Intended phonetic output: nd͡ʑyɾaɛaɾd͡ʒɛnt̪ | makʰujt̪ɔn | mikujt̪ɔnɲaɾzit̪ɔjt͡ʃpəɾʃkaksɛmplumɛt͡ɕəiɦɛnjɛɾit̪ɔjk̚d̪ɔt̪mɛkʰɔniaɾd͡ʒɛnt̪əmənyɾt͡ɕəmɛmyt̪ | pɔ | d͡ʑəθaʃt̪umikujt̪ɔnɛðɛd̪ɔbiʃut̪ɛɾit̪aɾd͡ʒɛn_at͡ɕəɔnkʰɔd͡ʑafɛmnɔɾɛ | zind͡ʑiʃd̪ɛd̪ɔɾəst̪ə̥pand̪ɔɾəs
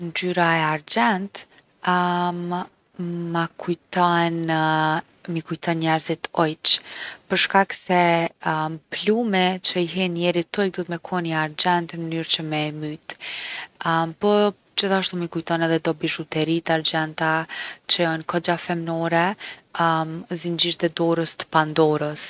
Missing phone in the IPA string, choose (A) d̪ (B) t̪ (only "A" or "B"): B